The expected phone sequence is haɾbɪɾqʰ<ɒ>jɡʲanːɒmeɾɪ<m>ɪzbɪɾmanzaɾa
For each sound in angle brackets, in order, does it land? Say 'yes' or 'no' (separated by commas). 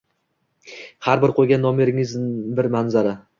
no, no